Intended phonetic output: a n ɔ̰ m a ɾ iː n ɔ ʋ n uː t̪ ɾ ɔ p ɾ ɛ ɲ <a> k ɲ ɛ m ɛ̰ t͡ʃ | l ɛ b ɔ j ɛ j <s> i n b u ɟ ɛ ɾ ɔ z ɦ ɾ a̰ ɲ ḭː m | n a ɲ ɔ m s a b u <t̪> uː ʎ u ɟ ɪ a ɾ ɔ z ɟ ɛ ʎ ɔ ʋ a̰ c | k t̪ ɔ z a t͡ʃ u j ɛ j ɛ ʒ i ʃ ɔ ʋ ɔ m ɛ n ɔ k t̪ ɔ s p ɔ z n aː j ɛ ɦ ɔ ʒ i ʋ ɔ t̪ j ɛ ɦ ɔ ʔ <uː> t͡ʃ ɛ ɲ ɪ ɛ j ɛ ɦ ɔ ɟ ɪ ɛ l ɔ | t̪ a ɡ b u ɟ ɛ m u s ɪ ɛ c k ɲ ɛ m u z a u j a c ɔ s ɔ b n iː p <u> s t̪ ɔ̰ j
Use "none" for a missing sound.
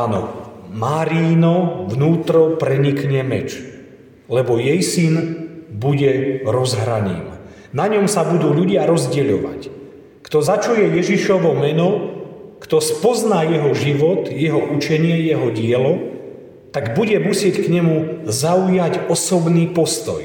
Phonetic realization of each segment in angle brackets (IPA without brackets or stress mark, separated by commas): i, s, d̪, u, ɔ